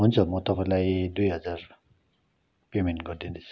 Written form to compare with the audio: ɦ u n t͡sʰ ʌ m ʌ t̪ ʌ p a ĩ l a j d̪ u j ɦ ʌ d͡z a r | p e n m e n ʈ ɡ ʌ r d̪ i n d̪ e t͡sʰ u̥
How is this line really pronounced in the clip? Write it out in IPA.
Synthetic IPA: ɦ u n t͡sʰ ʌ m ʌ t̪ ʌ p a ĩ l a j d̪ u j ɦ ʌ d͡z a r | p e m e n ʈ ɡ ʌ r d̪ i n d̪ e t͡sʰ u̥